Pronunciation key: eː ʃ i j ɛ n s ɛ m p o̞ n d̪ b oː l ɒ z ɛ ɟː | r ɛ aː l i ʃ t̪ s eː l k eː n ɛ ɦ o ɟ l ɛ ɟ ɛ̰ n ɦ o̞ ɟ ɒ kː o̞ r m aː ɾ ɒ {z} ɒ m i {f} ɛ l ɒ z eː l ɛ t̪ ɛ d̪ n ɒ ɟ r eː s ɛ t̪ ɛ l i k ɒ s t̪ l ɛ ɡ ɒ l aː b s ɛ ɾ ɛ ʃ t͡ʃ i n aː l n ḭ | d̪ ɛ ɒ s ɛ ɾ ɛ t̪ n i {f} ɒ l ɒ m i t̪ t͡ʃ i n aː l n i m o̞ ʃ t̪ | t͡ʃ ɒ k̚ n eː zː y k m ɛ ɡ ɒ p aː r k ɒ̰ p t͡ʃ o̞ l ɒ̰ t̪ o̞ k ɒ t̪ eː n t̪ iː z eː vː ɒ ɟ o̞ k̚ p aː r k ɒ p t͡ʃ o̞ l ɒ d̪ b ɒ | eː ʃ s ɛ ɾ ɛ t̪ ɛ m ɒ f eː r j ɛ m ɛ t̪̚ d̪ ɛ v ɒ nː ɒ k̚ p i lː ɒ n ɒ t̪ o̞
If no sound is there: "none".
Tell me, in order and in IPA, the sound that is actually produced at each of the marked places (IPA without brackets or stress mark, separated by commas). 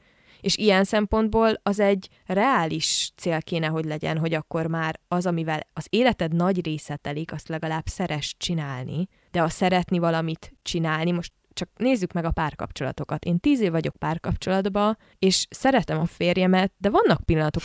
z, v, v